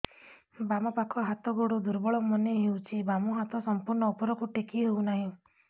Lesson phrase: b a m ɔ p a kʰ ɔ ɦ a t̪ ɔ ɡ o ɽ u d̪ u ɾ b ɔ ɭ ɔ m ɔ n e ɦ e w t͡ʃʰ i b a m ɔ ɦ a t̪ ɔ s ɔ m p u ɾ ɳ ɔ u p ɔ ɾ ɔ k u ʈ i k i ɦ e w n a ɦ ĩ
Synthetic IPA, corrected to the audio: b a m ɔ p a kʰ ɔ ɦ a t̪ ɔ ɡ o ɽ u d̪ u ɾ b ɔ ɭ ɔ m ɔ n e ɦ e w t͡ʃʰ i b a m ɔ ɦ a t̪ ɔ s ɔ m p u ɾ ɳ ɔ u p ɔ ɾ ɔ k u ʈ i k i ɦ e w n a ɦ ĩ